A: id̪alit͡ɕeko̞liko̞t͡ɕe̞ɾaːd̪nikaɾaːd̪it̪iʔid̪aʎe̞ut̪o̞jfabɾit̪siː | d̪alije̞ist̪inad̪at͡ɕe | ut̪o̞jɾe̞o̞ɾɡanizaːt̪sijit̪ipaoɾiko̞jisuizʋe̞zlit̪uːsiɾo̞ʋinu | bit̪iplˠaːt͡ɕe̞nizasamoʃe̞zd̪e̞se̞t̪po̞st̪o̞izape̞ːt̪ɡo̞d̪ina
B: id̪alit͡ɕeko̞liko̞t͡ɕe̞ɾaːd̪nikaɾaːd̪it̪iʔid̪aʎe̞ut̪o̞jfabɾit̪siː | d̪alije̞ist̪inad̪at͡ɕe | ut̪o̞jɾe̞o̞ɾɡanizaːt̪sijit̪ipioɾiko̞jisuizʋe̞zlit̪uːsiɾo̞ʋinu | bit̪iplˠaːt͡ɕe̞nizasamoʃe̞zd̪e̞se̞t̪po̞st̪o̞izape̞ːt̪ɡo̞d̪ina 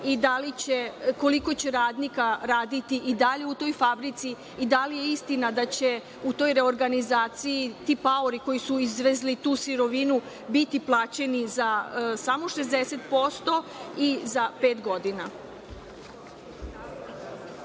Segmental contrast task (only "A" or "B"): A